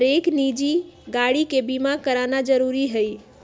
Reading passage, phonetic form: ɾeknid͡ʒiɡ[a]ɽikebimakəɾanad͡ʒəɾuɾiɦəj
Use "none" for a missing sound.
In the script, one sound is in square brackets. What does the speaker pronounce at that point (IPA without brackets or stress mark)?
a